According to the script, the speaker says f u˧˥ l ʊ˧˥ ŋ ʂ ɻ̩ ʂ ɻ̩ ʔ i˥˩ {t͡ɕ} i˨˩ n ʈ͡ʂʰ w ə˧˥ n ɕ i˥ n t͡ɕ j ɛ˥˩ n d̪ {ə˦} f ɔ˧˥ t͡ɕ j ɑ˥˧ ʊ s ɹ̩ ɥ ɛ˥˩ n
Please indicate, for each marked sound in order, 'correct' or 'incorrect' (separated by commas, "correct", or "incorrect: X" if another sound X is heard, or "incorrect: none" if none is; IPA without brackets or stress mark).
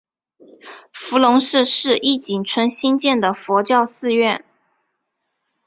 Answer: correct, incorrect: ə˩